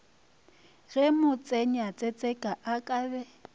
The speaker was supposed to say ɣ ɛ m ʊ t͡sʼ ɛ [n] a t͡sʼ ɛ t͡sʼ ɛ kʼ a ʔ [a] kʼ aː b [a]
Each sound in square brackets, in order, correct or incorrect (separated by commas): incorrect, correct, incorrect